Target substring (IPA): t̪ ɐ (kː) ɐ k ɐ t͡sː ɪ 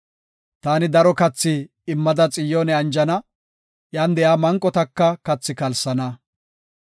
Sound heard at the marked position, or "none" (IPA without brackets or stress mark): kː